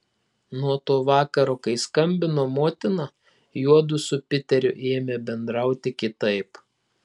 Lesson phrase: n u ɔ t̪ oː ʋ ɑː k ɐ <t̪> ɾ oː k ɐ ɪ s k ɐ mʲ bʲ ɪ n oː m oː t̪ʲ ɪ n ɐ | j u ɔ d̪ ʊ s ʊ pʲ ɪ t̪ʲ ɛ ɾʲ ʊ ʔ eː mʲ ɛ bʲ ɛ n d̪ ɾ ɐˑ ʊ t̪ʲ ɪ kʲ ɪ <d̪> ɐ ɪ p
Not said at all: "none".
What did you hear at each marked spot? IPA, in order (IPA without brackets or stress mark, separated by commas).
none, t̪